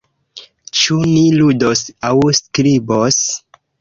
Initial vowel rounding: rounded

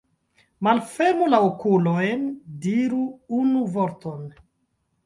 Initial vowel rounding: unrounded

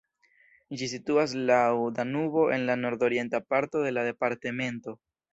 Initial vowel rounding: unrounded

